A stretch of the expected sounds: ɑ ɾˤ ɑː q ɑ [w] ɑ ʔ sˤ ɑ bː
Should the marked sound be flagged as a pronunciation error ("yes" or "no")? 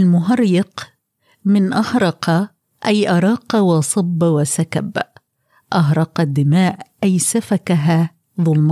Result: no